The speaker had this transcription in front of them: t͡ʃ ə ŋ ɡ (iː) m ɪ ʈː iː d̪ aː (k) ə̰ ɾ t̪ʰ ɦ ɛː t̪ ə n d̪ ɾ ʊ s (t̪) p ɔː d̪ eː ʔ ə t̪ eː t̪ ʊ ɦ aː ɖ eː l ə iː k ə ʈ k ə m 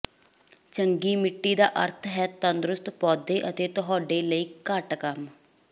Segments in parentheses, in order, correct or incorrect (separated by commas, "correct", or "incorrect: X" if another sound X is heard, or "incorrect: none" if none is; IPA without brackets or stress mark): correct, incorrect: ʔ, correct